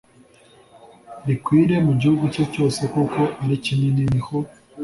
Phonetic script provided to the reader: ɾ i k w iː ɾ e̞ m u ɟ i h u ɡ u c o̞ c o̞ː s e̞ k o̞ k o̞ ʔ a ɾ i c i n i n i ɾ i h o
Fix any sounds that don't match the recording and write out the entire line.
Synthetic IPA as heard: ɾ i k w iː ɾ e̞ m u ɟ i h u ɡ u c o̞ c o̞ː s e̞ k o̞ k o̞ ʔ a ɾ i c i n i n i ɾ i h o